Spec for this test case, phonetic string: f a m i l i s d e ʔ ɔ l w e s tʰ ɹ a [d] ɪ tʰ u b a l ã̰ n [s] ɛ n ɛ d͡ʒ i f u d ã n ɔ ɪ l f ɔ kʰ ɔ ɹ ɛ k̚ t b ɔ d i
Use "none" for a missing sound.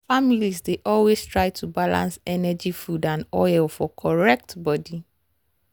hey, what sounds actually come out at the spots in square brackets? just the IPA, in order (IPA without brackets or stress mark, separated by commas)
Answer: none, s